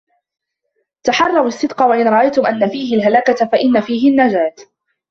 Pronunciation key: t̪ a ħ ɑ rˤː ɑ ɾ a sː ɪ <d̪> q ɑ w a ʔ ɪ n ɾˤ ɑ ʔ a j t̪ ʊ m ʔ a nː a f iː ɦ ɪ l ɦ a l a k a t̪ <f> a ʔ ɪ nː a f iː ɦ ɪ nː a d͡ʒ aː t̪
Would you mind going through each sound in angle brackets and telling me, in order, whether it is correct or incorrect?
correct, correct

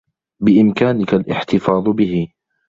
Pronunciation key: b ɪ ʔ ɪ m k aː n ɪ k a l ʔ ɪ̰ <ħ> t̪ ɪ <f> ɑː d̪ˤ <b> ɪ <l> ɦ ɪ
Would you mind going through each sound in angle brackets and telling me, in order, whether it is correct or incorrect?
correct, correct, correct, incorrect

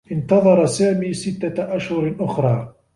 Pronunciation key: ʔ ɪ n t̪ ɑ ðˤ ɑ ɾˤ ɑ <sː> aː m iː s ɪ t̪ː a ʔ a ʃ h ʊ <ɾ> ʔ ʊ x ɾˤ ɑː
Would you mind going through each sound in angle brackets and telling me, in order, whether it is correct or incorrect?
incorrect, correct

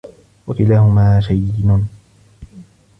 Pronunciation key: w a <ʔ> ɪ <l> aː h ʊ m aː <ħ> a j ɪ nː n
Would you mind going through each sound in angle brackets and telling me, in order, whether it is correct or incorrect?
incorrect, correct, incorrect

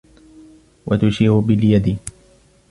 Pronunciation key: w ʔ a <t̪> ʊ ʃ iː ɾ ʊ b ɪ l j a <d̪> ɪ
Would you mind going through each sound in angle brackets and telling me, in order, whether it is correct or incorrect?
correct, correct

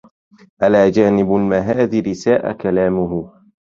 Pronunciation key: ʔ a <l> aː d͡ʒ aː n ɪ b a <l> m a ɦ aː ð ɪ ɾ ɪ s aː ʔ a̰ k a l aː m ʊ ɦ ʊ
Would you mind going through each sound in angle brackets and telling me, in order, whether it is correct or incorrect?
correct, correct

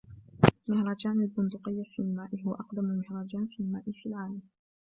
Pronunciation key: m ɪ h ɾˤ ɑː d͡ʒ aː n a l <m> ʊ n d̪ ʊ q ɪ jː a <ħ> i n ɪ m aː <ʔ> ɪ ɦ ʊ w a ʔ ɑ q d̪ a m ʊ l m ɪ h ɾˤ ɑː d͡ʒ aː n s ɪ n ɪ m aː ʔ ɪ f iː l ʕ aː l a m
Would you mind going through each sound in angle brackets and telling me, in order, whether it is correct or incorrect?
incorrect, incorrect, correct

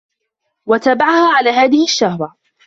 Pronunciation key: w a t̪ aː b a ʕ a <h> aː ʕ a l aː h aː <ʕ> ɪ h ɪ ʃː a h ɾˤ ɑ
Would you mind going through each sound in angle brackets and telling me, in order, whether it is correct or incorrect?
correct, incorrect

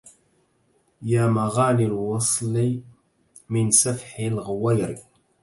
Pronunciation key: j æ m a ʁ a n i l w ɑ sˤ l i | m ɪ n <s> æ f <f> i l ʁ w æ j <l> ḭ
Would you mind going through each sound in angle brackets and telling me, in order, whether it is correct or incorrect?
correct, incorrect, incorrect

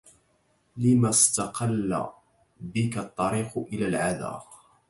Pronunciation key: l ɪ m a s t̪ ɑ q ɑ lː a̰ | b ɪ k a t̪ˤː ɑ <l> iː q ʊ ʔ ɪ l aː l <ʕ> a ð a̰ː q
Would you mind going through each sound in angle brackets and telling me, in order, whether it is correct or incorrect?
incorrect, correct

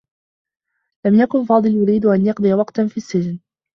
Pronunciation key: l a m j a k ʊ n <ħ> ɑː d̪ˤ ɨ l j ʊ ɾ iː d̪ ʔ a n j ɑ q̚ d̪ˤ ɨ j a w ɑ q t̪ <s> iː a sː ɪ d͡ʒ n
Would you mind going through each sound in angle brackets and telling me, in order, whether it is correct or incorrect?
incorrect, incorrect

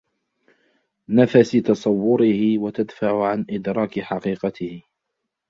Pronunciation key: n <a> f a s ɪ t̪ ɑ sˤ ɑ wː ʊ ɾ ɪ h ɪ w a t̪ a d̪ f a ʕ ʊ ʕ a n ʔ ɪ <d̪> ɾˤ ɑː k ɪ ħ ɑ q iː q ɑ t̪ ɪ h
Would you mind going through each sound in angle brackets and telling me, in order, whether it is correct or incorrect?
correct, correct

